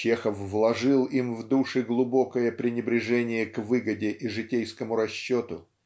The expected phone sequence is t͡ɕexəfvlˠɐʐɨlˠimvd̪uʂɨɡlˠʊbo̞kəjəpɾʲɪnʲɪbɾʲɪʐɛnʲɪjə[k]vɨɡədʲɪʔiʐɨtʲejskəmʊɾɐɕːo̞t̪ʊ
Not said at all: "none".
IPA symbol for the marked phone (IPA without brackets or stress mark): k